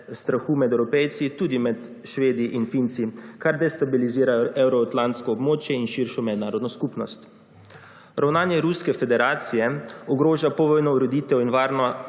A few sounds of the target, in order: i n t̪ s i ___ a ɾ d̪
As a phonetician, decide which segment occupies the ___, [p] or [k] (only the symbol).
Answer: k